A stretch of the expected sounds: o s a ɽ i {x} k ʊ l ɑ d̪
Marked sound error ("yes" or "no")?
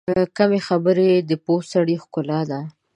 no